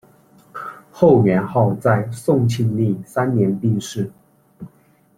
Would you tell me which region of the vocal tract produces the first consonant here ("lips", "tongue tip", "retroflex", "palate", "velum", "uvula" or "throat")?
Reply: velum